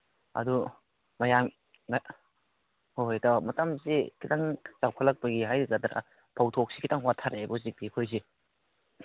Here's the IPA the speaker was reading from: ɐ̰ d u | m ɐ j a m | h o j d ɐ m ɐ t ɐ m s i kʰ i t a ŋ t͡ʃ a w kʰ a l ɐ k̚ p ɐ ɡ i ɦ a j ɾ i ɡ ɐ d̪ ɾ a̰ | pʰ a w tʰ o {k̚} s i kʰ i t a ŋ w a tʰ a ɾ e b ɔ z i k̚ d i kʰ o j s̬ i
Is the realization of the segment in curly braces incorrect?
no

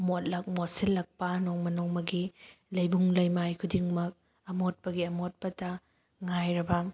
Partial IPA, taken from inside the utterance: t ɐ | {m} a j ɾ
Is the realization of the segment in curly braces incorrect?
yes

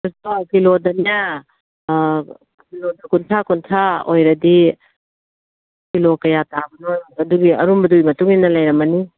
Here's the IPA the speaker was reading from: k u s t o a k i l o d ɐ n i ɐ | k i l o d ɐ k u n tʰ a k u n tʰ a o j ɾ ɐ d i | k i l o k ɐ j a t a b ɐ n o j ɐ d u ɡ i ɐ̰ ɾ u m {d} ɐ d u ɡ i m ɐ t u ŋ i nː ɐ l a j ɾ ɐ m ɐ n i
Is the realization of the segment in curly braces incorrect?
yes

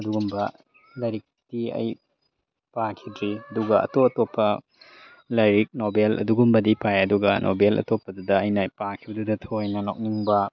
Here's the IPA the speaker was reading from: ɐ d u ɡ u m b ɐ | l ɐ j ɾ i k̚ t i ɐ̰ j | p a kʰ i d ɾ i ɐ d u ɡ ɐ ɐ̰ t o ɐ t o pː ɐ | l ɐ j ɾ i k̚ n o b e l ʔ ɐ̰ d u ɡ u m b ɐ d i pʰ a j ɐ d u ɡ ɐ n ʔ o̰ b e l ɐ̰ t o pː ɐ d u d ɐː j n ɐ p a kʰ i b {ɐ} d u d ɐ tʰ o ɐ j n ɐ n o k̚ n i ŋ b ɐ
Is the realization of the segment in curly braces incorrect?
no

